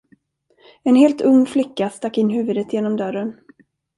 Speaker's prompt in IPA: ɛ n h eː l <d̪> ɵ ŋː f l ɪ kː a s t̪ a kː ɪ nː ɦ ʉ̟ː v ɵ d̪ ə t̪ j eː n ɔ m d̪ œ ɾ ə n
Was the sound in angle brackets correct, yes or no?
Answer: no